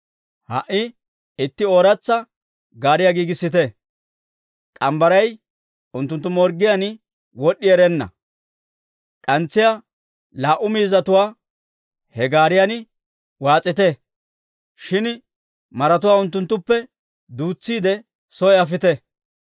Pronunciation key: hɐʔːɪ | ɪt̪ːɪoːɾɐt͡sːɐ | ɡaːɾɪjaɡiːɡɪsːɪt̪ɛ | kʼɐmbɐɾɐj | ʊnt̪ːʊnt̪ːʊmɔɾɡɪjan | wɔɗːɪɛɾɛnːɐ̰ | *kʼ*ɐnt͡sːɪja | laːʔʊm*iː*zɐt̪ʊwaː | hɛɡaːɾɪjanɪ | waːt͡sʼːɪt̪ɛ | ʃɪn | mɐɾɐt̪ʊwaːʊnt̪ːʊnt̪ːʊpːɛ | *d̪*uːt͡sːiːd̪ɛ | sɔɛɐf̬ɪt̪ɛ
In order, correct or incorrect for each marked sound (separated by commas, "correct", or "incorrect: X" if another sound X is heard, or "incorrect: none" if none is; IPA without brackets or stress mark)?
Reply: correct, correct, correct